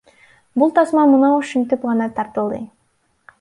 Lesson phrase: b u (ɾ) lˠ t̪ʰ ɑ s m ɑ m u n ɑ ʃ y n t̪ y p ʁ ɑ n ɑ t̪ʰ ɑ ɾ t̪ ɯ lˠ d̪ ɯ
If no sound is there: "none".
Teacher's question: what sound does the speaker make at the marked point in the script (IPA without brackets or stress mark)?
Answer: none